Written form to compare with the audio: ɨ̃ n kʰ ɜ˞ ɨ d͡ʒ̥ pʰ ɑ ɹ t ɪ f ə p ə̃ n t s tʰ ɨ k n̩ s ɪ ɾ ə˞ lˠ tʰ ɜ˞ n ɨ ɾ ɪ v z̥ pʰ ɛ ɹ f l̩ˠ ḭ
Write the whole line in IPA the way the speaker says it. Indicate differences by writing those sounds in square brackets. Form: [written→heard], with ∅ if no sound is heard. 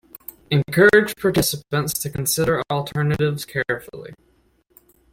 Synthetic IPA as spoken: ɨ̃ n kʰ ɜ˞ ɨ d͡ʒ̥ pʰ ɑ ɹ t ɪ [f→s] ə p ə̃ n t s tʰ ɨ k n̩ s ɪ ɾ ə˞ lˠ tʰ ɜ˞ n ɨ ɾ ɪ v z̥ [pʰ→kʰ] ɛ ɹ f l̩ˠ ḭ